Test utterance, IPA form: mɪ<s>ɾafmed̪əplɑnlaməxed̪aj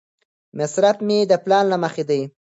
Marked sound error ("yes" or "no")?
no